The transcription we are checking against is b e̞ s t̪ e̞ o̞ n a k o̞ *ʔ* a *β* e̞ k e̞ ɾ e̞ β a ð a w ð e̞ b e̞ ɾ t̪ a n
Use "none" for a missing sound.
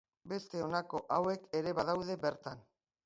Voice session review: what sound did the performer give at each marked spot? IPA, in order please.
ʔ, w

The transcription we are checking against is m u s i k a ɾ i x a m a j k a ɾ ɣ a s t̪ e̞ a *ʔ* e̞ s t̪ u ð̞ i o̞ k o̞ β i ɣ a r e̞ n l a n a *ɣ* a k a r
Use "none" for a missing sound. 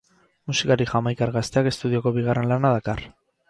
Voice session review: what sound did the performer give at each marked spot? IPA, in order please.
k, ð

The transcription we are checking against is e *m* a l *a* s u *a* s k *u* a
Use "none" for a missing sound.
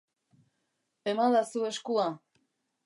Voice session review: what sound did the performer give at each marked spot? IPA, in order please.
m, a, e, u

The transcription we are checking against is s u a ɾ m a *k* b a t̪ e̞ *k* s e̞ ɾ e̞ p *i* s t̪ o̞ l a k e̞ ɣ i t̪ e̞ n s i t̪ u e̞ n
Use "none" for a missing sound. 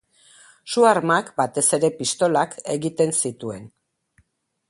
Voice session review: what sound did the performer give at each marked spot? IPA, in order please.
k, none, i

